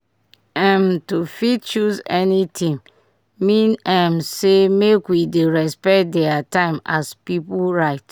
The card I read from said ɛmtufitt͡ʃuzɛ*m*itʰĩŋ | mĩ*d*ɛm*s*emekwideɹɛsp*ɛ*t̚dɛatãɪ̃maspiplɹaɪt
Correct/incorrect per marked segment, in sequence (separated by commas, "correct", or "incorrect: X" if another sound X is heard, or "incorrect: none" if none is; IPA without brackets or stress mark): incorrect: n, incorrect: n, correct, correct